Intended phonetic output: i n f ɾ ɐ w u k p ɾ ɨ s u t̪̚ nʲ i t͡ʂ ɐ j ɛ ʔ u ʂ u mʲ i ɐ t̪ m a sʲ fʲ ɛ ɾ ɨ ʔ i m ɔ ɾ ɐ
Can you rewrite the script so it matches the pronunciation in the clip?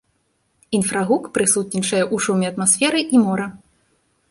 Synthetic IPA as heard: i n f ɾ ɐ ɣ u k p ɾ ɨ s u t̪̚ nʲ i t͡ʂ ɐ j ɛ ʔ u ʂ u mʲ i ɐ t̪ m a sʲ fʲ ɛ ɾ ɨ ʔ i m ɔ ɾ ɐ